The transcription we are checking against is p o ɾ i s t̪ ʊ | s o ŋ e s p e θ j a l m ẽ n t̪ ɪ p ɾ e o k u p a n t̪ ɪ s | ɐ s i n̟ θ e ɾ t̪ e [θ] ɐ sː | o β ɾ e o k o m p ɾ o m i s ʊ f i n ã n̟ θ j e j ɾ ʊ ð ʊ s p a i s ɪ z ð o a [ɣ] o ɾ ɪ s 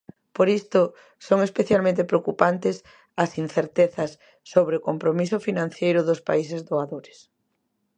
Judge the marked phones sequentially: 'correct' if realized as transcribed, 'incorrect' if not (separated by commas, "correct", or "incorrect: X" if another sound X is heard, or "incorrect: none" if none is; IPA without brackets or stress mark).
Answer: correct, incorrect: ð